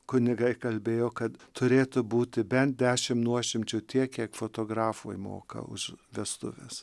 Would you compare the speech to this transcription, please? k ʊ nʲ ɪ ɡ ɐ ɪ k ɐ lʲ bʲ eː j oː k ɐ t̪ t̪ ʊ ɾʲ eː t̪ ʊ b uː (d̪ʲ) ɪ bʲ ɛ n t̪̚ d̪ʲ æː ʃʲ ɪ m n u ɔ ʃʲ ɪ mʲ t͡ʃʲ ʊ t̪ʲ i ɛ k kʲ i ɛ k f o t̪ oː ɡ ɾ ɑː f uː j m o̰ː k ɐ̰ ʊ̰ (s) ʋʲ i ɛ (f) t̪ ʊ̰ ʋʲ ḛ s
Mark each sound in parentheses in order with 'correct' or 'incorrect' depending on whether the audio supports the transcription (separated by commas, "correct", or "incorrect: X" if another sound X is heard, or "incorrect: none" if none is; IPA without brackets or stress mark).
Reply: incorrect: t̪ʲ, incorrect: ʃ, incorrect: s